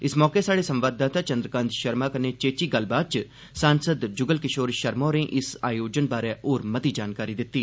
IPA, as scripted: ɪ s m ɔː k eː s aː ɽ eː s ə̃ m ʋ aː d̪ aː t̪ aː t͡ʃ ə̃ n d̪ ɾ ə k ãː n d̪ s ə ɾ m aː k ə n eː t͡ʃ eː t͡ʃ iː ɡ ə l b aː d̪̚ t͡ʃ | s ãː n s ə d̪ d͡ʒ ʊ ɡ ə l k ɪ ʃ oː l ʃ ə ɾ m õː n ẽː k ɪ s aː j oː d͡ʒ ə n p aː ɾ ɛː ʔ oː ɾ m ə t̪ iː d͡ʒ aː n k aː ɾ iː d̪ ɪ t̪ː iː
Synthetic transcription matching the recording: ɪ s m ɔː k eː s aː ɽ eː s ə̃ m ʋ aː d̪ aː t̪ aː t͡ʃ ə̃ n d̪ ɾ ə k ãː n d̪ ʃ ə ɾ m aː k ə n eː t͡ʃ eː t͡ʃ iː ɡ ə l b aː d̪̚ t͡ʃ | s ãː n s ə d̪ d͡ʒ ʊ ɡ ə l k ɪ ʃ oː ɾ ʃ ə ɾ m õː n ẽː ʔ ɪ s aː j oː d͡ʒ ə n b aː ɾ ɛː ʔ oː ɾ m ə t̪ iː d͡ʒ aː n k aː ɾ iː d̪ ɪ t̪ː iː